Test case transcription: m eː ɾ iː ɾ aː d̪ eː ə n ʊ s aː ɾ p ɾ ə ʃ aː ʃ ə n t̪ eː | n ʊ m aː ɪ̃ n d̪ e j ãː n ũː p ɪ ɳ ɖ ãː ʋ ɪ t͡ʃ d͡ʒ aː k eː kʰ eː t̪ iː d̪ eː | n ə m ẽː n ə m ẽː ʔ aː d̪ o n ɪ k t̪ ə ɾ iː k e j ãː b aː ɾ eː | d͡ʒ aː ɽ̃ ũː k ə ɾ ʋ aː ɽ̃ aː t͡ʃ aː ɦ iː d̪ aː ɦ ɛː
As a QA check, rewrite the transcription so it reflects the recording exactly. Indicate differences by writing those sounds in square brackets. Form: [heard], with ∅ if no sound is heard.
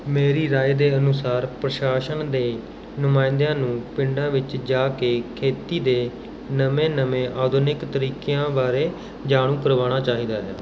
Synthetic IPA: m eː ɾ iː ɾ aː d̪ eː ə n ʊ s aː ɾ p ɾ ə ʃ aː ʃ ə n [d̪] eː | n ʊ m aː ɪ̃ n d̪ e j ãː n ũː p ɪ ɳ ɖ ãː ʋ ɪ t͡ʃ d͡ʒ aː k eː kʰ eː t̪ iː d̪ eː | n ə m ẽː n ə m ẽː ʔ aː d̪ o n ɪ k t̪ ə ɾ iː k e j ãː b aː ɾ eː | d͡ʒ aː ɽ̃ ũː k ə ɾ ʋ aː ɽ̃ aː t͡ʃ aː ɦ iː d̪ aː ɦ ɛː